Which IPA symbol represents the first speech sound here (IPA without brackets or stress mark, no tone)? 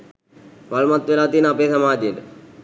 ʋ